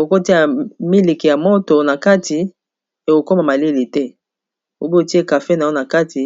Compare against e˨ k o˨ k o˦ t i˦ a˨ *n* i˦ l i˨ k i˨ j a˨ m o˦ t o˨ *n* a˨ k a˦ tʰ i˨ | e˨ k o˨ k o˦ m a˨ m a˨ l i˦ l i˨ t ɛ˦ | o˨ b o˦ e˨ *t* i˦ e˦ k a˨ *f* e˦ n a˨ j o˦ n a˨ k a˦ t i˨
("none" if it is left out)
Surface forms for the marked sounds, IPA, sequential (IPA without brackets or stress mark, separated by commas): m, n, t, f